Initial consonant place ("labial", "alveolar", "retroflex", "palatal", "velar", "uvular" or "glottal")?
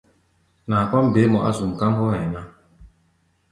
alveolar